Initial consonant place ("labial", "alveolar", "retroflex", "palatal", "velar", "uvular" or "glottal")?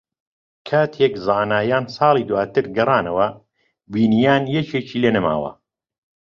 velar